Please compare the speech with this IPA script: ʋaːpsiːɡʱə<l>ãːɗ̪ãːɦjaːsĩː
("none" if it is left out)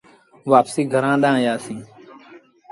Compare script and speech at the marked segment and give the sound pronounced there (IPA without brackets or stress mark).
ɾ